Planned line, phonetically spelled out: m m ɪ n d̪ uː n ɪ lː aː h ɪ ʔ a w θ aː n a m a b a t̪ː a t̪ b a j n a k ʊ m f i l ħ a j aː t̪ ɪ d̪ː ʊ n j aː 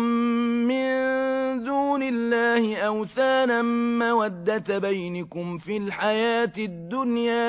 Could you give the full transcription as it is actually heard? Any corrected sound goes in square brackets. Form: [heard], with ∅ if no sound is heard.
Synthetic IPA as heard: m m ɪ n d̪ uː n ɪ lː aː h ɪ ʔ a w θ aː n a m a [w] a [d̪ː] a t̪ b a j n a k ʊ m f i l ħ a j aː t̪ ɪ d̪ː ʊ n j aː